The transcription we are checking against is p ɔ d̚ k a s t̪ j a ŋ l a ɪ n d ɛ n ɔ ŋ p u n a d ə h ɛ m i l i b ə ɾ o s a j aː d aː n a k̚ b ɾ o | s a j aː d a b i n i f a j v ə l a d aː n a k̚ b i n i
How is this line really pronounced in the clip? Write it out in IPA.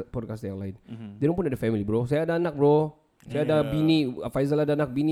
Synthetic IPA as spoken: p ɔ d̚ k a s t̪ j a ŋ l a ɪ n d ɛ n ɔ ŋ p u n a d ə f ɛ m i l i b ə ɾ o s a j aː d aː n a k̚ b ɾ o | s a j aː d a b i n i f a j z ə l a d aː n a k̚ b i n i